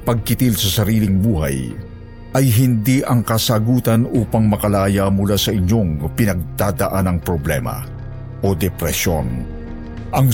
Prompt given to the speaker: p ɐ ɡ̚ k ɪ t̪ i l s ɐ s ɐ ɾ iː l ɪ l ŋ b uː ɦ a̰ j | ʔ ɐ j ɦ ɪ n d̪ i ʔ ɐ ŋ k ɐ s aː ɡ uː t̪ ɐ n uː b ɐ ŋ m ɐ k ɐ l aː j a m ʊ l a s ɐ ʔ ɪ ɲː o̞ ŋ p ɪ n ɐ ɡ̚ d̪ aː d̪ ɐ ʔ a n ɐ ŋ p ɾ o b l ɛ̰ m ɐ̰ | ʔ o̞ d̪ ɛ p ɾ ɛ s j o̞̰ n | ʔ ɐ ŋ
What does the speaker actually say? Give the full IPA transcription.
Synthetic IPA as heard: p ɐ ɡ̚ k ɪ t̪ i l s ɐ s ɐ ɾ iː l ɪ ŋ b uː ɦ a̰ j | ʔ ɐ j ɦ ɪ n d̪ i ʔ ɐ ŋ k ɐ s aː ɡ uː t̪ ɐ n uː p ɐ ŋ m ɐ k ɐ l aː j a m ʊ l a s ɐ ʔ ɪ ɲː o̞ ŋ p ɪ n ɐ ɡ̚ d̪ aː d̪ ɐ ʔ a n ɐ ŋ p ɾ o b l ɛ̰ m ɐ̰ | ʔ o̞ d̪ ɛ p ɾ ɛ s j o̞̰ n | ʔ ɐ ŋ